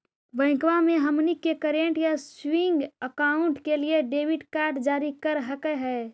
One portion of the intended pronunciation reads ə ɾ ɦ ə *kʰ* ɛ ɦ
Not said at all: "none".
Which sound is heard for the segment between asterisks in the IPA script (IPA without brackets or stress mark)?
k